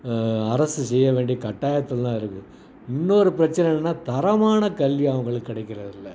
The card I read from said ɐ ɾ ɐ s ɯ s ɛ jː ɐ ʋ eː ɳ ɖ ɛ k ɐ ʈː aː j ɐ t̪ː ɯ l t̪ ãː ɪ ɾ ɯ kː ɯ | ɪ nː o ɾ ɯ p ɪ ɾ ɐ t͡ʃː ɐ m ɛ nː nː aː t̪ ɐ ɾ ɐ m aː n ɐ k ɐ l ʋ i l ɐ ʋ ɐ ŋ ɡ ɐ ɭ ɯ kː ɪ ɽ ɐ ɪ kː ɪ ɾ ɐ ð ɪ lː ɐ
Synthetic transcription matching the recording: ɐ ɾ ɐ s ɯ s ɛ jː ɐ ʋ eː ɳ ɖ i k ɐ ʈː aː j ɐ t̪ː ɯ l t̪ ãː ɪ ɾ ɯ kː ɯ | ɪ nː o ɾ ɯ p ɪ ɾ ɐ t͡ʃː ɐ n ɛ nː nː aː t̪ ɐ ɾ ɐ m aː n ɐ k ɐ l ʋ i ɐ ʋ ɐ ŋ ɡ ɐ ɭ ɯ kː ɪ ɽ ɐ ɪ kː ɪ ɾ ɐ ð ɪ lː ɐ